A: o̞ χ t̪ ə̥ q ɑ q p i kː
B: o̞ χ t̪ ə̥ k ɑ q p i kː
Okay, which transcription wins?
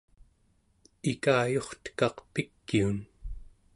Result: B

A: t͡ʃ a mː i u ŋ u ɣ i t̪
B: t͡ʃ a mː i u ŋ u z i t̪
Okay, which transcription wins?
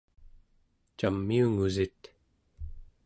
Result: B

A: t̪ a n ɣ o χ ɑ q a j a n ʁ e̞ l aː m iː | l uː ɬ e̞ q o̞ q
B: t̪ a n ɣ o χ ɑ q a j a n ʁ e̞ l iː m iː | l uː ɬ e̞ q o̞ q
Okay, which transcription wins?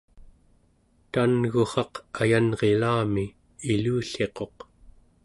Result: A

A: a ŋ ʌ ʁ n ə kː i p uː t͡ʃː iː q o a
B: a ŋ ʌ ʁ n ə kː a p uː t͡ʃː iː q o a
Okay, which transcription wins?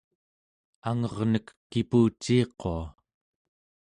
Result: A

